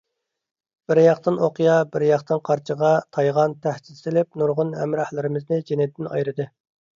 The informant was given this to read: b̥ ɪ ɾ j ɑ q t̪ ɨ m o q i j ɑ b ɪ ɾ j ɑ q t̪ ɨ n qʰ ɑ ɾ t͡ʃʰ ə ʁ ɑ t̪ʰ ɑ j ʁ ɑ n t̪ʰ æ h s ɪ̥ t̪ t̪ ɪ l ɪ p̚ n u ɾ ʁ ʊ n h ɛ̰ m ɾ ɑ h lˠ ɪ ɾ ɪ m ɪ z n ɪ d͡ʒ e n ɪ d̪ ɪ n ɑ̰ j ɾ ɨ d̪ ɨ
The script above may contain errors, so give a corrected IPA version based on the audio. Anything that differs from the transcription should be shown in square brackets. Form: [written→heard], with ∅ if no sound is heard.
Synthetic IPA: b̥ ɪ ɾ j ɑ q t̪ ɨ [m→n] o q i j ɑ b ɪ ɾ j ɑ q t̪ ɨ n qʰ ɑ ɾ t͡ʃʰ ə ʁ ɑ t̪ʰ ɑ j ʁ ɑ n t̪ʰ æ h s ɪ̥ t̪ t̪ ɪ l ɪ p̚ n u ɾ ʁ ʊ n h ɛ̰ m ɾ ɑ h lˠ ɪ ɾ ɪ m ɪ z n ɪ d͡ʒ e n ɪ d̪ ɪ n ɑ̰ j ɾ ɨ d̪ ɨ